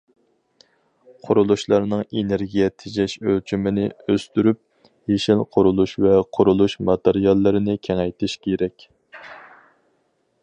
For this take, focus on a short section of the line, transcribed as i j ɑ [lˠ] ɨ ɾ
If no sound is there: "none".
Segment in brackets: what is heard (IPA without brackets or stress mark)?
lˠː